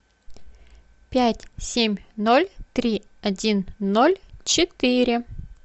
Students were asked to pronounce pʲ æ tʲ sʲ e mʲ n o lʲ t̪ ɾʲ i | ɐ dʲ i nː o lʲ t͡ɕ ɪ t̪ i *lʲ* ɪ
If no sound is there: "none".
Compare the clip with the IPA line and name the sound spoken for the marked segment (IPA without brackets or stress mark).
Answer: ɾʲ